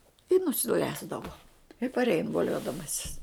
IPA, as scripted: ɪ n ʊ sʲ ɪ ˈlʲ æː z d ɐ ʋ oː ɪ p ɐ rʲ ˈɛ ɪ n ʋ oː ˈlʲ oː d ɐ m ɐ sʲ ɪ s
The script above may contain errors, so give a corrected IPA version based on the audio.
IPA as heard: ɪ n ʊ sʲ ɪ ˈlʲ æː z d ɐ ʋ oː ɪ p ɐ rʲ ˈɛ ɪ n ʋ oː ˈlʲ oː d ɐ m ɐ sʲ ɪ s